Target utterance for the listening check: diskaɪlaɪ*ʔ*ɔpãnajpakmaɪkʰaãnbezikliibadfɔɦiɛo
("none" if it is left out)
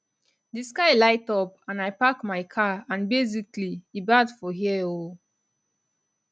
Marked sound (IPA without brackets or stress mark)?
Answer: t